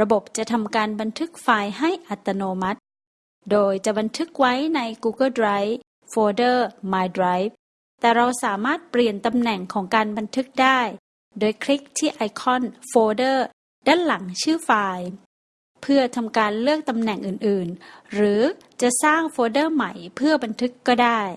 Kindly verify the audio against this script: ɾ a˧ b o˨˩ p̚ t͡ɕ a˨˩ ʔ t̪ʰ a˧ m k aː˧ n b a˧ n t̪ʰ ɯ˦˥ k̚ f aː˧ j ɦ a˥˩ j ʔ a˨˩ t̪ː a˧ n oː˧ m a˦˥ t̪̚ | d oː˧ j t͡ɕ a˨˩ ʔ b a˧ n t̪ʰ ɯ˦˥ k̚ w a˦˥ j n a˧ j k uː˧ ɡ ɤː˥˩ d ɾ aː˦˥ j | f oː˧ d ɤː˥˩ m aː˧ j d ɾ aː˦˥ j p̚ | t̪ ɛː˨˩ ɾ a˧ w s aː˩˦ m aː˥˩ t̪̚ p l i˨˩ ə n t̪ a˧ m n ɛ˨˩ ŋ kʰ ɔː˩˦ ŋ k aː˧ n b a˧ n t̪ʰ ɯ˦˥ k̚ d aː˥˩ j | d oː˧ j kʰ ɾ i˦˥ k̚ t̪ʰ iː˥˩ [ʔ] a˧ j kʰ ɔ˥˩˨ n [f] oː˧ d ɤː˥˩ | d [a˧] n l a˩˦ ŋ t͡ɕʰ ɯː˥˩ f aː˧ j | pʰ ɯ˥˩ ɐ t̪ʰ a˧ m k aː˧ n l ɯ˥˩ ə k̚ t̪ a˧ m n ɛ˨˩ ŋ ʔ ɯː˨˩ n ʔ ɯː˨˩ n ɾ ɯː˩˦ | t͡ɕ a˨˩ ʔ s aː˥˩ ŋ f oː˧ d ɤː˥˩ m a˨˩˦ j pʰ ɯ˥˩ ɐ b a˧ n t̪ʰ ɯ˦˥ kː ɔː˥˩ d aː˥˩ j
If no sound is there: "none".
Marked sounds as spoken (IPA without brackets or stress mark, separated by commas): ʔ, f, a˥˩